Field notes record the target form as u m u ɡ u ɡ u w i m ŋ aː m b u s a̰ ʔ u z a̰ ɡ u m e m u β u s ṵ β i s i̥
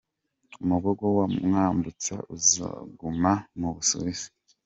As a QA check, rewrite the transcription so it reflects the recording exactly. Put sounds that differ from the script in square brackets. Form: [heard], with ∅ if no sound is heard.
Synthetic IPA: u m u ɡ [o] ɡ [o] w [a] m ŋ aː m b u [t͡s] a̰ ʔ u z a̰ ɡ u m [a] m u β u s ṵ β i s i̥